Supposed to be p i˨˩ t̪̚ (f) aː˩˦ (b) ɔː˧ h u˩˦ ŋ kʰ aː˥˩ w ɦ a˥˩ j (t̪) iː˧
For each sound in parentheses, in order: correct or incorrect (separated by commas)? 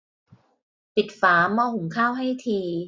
correct, incorrect, incorrect